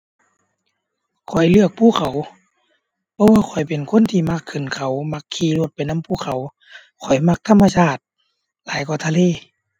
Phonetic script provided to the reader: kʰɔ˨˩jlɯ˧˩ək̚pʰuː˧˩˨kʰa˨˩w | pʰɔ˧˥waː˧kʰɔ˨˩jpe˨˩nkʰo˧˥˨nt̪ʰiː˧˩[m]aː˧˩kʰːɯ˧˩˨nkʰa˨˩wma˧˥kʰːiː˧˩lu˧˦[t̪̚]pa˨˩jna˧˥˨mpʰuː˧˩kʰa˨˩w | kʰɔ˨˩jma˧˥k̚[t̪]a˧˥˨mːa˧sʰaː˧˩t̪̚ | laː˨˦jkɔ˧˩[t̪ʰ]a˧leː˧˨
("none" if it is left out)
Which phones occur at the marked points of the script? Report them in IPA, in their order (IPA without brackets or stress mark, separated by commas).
m, t̪̚, t̪ʰ, t̪ʰ